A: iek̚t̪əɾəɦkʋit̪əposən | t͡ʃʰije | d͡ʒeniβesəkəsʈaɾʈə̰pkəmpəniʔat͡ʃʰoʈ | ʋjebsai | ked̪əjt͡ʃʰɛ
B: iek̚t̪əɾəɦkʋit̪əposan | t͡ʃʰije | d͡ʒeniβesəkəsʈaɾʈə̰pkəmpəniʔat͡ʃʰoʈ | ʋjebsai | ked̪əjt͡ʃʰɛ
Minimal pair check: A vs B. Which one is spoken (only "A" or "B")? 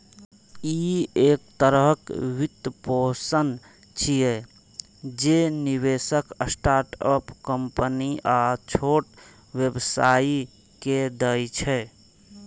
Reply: A